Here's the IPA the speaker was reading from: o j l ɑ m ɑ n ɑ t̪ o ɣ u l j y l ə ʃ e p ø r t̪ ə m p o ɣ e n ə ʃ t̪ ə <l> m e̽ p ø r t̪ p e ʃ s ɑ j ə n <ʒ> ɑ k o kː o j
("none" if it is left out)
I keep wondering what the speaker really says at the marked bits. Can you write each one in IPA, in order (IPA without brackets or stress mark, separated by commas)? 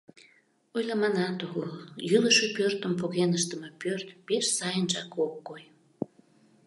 none, ʒ